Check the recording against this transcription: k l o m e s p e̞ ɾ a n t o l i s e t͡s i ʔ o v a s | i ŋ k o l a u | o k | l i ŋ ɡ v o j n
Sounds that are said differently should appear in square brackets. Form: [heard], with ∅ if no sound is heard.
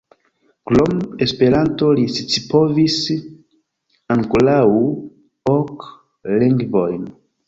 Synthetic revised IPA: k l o m e s p e̞ ɾ a n t o l i s [i] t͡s i [p] o v [i] s | [a] ŋ k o l a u | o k | l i ŋ ɡ v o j n